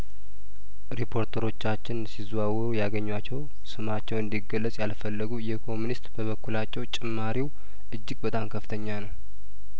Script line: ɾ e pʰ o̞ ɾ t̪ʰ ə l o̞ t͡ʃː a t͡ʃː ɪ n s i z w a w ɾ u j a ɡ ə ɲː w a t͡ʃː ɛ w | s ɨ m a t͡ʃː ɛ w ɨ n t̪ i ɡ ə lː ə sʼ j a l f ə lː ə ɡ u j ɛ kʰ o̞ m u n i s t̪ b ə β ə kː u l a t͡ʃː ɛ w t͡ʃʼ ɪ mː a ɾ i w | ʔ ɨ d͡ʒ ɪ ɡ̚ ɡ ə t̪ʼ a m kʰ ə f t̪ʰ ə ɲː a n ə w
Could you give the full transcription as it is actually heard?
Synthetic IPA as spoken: ɾ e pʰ o̞ ɾ t̪ʰ ə ɾ o̞ t͡ʃː a t͡ʃː ɪ n s i z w a w ɾ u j a ɡ ə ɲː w a t͡ʃː ɛ w | s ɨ m a t͡ʃː ɛ w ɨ n d̪ i ɡ ə lː ə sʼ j a l f ə lː ə ɡ u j ɛ kʰ o̞ m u n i s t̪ b ə β ə kː u l a t͡ʃː ɛ w t͡ʃʼ ɪ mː a ɾ i w | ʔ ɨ d͡ʒː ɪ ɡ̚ b ə t̪ʼ a m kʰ ə f t̪ʰ ə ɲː a n ə w